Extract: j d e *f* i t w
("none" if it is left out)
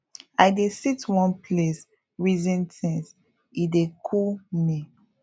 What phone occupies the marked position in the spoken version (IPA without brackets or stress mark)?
s